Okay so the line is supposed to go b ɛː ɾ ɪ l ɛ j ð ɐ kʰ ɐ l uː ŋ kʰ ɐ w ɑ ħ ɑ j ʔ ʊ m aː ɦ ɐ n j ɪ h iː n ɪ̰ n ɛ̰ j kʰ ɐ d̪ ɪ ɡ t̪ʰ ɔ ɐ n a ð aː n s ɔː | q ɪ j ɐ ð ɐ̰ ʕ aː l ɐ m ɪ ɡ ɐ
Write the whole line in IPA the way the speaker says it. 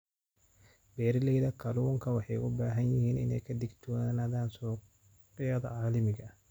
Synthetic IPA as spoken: b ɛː ɾ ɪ l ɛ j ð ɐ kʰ ɐ l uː ŋ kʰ ɐ w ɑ ħ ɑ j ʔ ʊ b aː ɦ ɐ n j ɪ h iː n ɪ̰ n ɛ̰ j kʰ ɐ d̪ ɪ ɡ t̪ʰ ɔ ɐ n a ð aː n s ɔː | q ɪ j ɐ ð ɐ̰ ʕ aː l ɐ m ɪ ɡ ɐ